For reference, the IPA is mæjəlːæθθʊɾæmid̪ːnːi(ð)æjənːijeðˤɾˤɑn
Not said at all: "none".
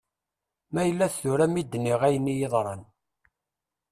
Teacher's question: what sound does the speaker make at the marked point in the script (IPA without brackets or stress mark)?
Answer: ʁ